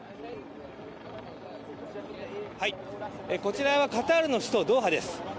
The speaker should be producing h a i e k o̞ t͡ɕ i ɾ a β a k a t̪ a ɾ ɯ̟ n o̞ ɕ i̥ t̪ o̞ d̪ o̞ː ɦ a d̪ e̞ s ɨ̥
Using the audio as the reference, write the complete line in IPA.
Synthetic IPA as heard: h a i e k o̞ t͡ɕ i ɾ a β a k a t̪ a ɾ ɯ̟ n o̞ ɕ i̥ t̪ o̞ d̪ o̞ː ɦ a d̪ e̞ s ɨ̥